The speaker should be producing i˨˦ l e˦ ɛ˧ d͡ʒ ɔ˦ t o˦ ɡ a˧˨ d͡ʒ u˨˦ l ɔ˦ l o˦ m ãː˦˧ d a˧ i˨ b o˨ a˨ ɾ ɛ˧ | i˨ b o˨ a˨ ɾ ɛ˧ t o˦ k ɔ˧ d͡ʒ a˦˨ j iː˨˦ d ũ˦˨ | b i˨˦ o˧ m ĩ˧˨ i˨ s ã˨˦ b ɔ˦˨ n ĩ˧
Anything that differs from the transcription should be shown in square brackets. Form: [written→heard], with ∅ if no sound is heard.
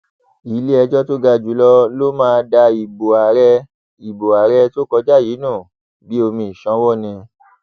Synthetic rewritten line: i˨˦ l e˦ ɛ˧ d͡ʒ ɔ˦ t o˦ ɡ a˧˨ d͡ʒ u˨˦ l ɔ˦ l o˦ m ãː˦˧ d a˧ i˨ b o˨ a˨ ɾ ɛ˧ | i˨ b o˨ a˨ ɾ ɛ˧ t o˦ k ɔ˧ d͡ʒ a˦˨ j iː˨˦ [d→n] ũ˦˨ | b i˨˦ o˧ m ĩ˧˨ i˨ [s→ʃ] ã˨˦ [b→w] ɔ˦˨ n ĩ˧